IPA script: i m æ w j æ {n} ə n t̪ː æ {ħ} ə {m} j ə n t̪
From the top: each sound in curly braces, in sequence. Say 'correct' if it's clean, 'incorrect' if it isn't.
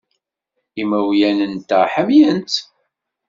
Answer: correct, correct, correct

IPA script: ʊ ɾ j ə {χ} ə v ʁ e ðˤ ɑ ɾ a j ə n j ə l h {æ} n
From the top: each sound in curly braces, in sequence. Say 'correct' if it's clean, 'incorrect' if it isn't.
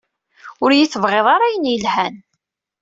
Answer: incorrect: θ, correct

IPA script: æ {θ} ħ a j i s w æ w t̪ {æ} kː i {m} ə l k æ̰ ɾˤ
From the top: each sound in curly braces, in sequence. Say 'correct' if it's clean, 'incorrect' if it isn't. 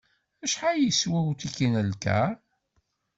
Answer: incorrect: ʃ, incorrect: i, incorrect: n

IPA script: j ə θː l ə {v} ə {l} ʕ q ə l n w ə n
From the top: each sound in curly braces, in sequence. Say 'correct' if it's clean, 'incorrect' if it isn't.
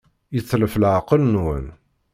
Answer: incorrect: f, correct

